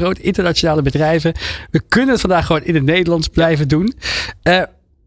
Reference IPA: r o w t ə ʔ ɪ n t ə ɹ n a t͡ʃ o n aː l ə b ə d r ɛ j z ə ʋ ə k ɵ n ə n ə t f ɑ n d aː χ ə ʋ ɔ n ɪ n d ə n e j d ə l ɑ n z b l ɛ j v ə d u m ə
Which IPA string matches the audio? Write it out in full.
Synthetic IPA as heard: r o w t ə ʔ ɪ n t ə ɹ n a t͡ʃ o n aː l ə b ə d r ɛ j v ə ʋ ə k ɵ n ə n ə t f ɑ n d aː χ ə ʋ o n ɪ n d ə n e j d ə l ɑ n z b l ɛ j v ə d u n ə